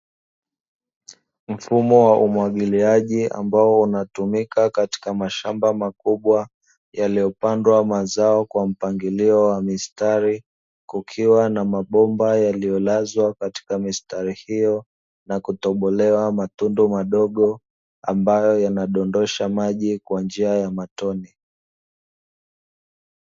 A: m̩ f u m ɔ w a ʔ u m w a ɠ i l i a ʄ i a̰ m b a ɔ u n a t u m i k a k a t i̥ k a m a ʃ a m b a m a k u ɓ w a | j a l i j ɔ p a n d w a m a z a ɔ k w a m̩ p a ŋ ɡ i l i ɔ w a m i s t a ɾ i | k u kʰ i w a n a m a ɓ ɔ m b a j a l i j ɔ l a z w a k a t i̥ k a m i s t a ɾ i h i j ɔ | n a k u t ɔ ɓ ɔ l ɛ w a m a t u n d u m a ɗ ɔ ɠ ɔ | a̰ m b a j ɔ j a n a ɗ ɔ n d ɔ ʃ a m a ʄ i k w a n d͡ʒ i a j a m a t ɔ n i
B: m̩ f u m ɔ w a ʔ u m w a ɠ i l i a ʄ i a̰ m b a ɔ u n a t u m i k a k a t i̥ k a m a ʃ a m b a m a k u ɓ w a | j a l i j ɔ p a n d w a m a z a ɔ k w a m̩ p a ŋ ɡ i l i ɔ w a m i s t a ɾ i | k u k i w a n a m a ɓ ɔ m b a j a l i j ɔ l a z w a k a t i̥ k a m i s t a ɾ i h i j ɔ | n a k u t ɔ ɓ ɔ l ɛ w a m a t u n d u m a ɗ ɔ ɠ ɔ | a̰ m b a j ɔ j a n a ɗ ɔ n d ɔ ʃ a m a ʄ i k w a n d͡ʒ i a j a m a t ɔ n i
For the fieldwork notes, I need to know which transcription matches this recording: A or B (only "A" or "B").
A